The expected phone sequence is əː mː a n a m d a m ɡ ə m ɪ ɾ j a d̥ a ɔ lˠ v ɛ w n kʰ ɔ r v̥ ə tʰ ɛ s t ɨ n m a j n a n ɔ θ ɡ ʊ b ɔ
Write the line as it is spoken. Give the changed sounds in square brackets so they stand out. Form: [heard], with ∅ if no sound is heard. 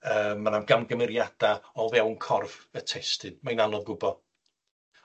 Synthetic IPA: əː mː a n a m [ɡ] a m ɡ ə m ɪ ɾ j a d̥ a ɔ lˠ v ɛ w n kʰ ɔ r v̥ ə tʰ ɛ s t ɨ n m a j n a n ɔ [ð] ɡ ʊ b ɔ